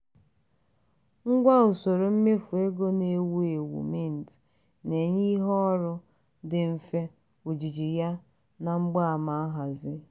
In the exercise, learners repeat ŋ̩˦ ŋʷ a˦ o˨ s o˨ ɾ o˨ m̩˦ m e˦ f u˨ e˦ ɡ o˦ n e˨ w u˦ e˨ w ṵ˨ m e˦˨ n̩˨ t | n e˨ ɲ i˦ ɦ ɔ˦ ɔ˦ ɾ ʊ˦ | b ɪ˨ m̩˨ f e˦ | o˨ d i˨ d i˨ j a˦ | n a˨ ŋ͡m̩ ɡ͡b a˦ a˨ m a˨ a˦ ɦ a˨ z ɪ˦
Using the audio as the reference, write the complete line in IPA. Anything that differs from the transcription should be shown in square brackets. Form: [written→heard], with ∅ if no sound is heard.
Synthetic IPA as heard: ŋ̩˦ [ŋʷ→ɡʷ] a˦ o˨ s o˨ ɾ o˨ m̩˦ m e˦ f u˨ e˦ ɡ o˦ n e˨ w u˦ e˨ w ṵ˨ m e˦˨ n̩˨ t | n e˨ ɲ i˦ ɦ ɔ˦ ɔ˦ ɾ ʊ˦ | [b→d] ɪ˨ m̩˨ f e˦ | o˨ [d→d͡ʒ] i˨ [d→d͡ʒ] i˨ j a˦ | n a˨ ŋ͡m̩ ɡ͡b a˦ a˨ m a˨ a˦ ɦ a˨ z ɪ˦